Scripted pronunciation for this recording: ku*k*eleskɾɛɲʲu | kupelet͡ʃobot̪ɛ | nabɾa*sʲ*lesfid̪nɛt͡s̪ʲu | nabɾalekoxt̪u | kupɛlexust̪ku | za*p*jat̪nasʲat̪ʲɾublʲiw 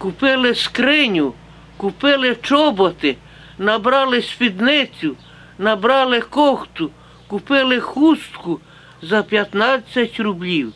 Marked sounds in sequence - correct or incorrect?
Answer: incorrect, incorrect, correct

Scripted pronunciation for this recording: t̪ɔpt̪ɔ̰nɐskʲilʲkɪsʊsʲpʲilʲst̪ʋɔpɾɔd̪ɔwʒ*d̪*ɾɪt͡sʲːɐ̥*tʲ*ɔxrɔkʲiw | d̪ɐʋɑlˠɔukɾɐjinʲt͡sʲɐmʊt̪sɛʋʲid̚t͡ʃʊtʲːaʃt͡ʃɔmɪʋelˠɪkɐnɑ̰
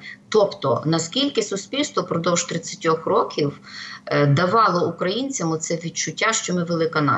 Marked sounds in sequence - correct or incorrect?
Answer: incorrect, correct

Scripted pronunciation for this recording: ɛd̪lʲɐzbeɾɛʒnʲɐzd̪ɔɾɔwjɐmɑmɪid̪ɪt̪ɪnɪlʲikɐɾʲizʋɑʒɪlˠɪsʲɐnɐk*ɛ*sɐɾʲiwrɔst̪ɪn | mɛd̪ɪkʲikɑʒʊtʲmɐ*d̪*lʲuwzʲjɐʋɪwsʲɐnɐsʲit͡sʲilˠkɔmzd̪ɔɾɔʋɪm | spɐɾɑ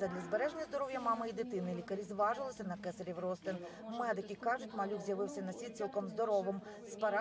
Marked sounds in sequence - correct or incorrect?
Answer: correct, incorrect

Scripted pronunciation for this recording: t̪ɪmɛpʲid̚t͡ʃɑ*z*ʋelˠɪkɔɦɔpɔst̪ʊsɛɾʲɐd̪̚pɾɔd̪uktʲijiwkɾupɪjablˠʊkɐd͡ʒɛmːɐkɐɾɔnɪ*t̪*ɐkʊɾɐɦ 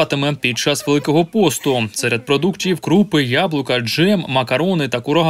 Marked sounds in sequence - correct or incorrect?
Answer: incorrect, correct

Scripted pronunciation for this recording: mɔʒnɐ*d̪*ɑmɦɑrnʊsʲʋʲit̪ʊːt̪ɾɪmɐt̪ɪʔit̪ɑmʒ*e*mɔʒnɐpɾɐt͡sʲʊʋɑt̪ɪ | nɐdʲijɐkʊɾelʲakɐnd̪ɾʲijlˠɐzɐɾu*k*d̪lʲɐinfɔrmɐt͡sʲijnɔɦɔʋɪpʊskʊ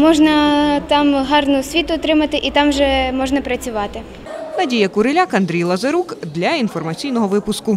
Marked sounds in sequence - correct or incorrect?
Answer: incorrect, incorrect, correct

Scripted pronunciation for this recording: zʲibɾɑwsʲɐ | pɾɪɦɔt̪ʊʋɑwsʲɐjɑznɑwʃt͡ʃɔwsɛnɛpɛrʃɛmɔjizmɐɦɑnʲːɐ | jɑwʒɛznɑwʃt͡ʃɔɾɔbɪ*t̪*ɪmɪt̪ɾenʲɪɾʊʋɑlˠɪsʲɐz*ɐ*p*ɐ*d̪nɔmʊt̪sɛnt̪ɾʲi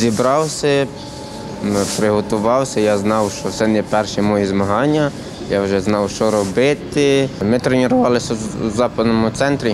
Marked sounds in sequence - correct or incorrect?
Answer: correct, incorrect, correct

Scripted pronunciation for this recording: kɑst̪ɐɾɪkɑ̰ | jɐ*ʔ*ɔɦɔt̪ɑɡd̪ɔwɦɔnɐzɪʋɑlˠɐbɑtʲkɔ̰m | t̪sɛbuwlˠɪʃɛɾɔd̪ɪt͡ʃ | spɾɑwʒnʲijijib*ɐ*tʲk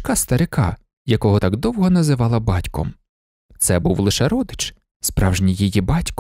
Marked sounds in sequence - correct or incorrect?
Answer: incorrect, incorrect

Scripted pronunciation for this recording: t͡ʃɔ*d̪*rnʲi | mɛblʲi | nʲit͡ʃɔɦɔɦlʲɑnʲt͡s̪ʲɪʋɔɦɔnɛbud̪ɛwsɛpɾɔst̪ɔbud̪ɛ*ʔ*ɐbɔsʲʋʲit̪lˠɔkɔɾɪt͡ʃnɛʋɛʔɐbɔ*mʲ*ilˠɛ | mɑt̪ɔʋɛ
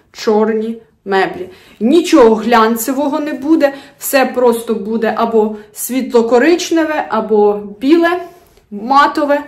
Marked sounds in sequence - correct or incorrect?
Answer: incorrect, correct, incorrect

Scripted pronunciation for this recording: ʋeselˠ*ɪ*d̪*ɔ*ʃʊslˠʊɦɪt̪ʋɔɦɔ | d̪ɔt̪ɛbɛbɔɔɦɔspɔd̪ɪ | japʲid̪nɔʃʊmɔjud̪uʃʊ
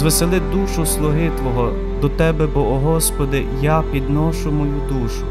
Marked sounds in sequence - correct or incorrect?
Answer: correct, incorrect

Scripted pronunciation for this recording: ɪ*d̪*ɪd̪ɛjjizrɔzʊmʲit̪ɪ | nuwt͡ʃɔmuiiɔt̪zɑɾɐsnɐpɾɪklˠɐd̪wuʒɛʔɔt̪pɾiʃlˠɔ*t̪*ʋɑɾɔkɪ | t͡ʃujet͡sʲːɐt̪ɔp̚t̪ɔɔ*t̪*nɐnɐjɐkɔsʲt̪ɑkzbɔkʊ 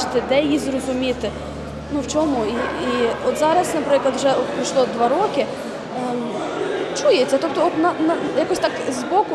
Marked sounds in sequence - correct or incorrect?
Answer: incorrect, incorrect, correct

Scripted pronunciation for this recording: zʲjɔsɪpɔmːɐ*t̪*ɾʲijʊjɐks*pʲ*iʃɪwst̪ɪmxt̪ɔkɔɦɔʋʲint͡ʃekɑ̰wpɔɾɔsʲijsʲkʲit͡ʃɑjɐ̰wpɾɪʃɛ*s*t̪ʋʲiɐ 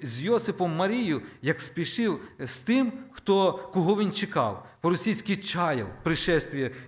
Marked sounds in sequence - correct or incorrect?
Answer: incorrect, correct, correct

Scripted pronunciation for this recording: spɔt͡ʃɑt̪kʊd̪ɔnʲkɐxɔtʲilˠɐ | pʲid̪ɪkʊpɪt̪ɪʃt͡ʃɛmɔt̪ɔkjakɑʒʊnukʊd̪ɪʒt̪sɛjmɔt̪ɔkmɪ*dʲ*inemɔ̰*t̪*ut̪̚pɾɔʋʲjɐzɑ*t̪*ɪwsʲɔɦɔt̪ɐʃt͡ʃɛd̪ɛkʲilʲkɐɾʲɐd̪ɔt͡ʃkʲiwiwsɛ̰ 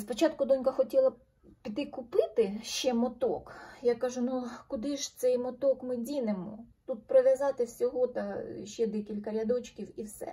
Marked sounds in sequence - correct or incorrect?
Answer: correct, correct, correct

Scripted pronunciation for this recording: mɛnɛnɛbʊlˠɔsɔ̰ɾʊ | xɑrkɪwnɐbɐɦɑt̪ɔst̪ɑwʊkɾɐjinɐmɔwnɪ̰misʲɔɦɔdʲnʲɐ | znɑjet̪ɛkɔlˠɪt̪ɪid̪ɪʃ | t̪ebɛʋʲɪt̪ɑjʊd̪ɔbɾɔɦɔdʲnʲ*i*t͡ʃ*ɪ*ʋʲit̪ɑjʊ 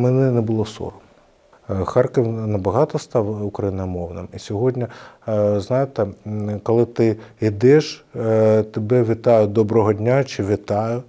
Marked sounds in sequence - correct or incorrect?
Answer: incorrect, correct

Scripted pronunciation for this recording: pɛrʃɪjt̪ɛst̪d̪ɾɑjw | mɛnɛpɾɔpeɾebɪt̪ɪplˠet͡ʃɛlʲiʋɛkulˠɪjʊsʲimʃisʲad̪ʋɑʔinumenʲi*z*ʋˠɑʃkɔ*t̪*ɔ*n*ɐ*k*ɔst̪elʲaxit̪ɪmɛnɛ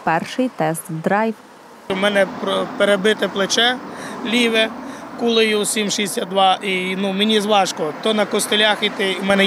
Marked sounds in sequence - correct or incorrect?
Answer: correct, correct, correct, correct

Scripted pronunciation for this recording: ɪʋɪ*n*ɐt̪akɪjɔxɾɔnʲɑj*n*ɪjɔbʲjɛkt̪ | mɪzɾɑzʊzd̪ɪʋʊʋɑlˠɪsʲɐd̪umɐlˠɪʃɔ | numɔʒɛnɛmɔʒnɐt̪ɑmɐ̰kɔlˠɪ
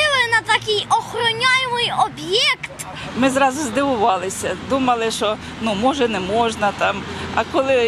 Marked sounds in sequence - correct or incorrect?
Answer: correct, incorrect

